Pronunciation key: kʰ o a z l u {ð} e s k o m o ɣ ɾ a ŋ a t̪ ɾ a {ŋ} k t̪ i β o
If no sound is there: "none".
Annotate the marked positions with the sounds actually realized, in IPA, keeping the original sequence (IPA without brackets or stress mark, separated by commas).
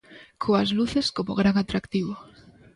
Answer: θ, none